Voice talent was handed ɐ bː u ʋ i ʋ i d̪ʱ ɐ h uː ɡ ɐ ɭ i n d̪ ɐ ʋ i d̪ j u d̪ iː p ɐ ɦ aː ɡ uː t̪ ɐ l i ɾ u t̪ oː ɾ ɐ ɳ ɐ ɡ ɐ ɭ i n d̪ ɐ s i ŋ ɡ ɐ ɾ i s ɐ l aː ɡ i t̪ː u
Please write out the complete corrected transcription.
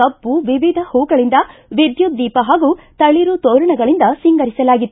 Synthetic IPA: ɐ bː u ʋ i ʋ i d̪ʱ ɐ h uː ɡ ɐ ɭ i n d̪ ɐ ʋ i d̪ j u d̪ iː p ɐ ɦ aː ɡ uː t̪ ɐ ɭ i ɾ u t̪ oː ɾ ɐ ɳ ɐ ɡ ɐ ɭ i n d̪ ɐ s i ŋ ɡ ɐ ɾ i s ɐ l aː ɡ i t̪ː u

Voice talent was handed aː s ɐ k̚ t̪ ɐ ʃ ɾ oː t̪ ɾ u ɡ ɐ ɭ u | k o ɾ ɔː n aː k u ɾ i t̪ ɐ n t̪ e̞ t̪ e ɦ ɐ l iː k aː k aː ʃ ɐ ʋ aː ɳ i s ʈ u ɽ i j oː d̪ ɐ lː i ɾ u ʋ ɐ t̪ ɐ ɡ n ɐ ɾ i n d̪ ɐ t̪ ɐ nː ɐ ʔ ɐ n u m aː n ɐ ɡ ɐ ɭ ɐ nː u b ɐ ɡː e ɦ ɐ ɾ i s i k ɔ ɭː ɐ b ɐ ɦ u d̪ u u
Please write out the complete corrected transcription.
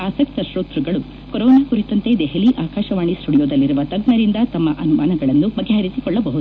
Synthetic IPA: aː s ɐ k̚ t̪ ɐ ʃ ɾ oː t̪ ɾ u ɡ ɐ ɭ u | k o ɾ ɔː n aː k u ɾ i t̪ ɐ n t̪ e̞ d̪ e ɦ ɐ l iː ʔ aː k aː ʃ ɐ ʋ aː ɳ i s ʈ u ɽ i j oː d̪ ɐ lː i ɾ u ʋ ɐ t̪ ɐ ɡ n ɐ ɾ i n d̪ ɐ t̪ ɐ mː ɐ ʔ ɐ n u m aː n ɐ ɡ ɐ ɭ ɐ nː u b ɐ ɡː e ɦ ɐ ɾ i s i k ɔ ɭː ɐ b ɐ ɦ u d̪ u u

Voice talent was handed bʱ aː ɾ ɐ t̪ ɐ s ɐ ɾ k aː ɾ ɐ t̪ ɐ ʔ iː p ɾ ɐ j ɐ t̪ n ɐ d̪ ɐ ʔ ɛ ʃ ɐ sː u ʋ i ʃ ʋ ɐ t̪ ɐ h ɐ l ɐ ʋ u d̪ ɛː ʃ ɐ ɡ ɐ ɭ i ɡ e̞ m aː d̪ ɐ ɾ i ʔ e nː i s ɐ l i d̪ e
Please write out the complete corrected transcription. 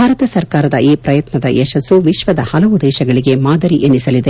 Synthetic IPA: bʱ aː ɾ ɐ t̪ ɐ s ɐ ɾ k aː ɾ ɐ d̪ ɐ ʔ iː p ɾ ɐ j ɐ t̪ n ɐ d̪ ɐ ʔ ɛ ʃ ɐ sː u ʋ i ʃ ʋ ɐ d̪ ɐ h ɐ l ɐ ʋ u d̪ ɛː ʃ ɐ ɡ ɐ ɭ i ɡ e̞ m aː d̪ ɐ ɾ i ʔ e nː i s ɐ l i d̪ e

